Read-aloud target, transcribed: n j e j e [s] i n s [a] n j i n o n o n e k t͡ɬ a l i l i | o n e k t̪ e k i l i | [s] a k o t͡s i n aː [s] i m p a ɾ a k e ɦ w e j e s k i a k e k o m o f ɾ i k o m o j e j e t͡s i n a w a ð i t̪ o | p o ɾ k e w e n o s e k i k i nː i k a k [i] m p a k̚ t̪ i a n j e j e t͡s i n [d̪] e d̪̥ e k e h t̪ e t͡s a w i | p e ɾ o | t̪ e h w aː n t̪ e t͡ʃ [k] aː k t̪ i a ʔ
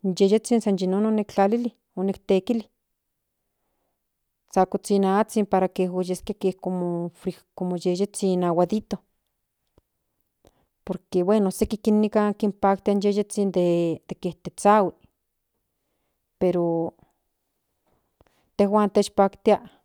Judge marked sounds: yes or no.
no, yes, no, no, yes, yes, no

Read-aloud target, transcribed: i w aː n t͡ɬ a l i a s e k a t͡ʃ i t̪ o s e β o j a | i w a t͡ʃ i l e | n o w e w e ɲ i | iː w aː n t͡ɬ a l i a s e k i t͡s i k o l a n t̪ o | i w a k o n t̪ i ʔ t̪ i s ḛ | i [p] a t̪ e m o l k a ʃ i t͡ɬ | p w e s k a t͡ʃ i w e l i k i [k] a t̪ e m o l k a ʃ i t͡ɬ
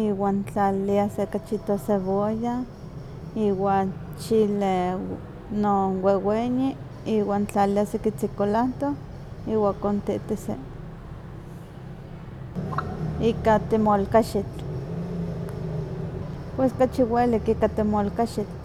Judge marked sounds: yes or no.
no, yes

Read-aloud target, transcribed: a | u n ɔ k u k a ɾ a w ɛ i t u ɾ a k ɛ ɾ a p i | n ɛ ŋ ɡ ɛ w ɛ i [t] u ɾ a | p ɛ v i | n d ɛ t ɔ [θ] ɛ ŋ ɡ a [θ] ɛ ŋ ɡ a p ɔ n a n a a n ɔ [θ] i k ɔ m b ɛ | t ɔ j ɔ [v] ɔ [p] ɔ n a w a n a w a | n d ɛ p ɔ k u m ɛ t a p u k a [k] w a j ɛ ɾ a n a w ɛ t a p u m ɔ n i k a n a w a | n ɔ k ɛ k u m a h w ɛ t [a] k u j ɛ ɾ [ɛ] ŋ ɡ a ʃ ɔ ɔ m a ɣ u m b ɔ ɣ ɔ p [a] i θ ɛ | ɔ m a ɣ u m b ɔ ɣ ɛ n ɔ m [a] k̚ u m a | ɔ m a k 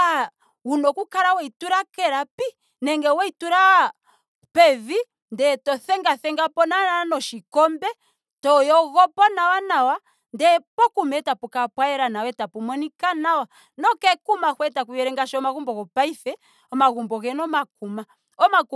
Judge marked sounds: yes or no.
yes, yes, yes, no, no, yes, no, yes, yes, yes, yes

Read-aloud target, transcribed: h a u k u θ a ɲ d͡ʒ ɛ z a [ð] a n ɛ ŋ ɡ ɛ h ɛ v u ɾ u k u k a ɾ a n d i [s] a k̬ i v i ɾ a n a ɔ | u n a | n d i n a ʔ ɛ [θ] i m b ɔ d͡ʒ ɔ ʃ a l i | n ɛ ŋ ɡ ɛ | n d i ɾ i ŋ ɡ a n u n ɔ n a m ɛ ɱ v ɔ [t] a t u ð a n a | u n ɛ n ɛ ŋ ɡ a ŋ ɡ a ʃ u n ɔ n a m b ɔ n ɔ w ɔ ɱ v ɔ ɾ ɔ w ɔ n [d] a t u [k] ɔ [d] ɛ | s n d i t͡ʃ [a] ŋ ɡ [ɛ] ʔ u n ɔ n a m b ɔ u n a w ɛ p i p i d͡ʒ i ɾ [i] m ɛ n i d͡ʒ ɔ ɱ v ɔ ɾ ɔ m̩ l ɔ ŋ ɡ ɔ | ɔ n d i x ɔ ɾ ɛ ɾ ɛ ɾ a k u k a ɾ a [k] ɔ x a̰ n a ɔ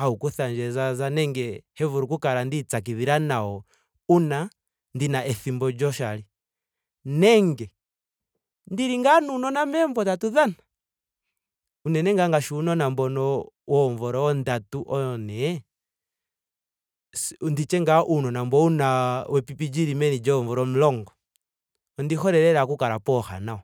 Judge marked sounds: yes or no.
no, no, yes, yes, yes, no, no, no, no, yes, no

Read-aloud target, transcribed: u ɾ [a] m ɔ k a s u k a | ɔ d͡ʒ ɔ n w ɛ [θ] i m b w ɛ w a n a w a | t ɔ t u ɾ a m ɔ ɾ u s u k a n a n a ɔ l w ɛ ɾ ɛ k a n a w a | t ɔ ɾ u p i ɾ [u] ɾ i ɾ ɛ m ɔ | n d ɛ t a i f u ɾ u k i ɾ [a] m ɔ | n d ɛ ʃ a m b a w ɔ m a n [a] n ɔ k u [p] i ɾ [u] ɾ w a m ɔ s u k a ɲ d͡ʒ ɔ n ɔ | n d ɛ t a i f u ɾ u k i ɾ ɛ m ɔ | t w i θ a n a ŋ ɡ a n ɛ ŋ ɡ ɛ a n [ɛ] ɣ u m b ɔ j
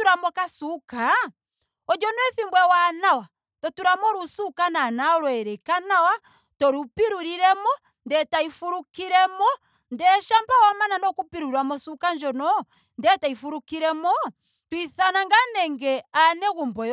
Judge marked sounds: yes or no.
yes, yes, yes, no, yes, yes, yes, yes

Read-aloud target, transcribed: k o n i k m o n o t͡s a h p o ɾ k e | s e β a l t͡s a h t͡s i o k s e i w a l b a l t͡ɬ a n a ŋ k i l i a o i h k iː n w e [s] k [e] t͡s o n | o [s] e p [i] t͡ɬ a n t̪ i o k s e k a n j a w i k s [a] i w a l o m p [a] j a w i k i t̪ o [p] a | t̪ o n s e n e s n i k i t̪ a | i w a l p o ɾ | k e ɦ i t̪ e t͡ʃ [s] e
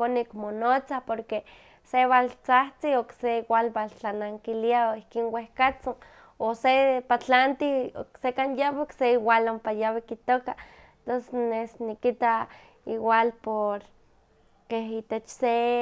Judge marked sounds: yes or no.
no, no, yes, no, no, yes, no, yes

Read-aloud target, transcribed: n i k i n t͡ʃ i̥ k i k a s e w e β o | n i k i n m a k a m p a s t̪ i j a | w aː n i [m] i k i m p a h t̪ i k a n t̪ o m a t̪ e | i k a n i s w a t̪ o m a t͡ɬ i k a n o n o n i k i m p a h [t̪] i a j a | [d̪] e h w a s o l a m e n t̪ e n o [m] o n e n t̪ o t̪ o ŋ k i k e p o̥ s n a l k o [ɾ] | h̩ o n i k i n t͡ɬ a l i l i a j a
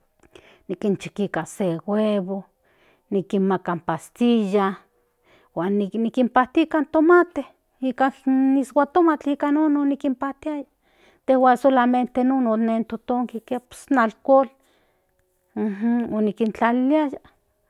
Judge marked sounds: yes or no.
no, yes, no, no, no

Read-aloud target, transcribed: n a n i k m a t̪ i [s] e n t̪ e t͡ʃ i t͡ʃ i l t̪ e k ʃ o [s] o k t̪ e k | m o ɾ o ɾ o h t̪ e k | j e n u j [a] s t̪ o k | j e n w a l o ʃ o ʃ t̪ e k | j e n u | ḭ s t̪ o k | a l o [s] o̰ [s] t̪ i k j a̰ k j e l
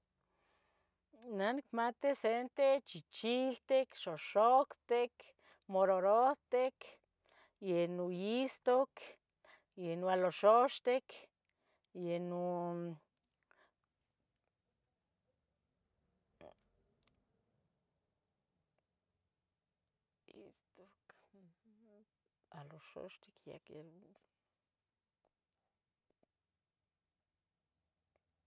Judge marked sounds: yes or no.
yes, no, no, no, no

